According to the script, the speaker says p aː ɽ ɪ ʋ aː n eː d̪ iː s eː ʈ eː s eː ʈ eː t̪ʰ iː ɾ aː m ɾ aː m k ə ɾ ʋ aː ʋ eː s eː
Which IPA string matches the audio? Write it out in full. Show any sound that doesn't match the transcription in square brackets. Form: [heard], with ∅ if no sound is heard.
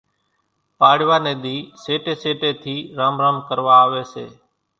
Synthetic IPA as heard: p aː ɽ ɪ ʋ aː n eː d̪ iː s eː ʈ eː s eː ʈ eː t̪ʰ iː ɾ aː m ɾ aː m k ə ɾ ʋ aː ʋ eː s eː